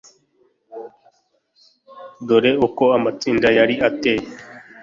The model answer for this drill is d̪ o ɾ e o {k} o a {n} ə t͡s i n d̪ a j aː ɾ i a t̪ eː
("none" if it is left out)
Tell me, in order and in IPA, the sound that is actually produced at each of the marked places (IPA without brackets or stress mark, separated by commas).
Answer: k, m